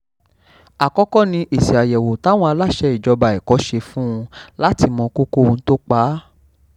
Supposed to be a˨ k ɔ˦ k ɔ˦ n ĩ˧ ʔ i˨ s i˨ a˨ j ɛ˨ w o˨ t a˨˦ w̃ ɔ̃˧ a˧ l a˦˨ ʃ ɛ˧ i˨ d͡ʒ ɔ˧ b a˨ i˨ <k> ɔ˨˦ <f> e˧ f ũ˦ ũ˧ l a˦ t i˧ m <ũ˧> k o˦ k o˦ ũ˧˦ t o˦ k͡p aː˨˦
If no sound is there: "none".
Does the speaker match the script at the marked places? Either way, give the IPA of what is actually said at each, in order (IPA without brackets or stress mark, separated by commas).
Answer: k, ʃ, ɔ̃˧